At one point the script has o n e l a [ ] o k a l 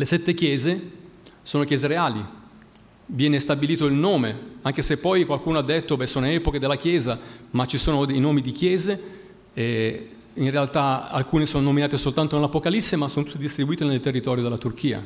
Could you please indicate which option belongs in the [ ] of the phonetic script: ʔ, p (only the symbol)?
p